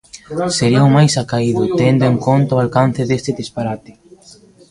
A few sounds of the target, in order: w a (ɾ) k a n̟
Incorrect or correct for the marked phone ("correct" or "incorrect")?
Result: incorrect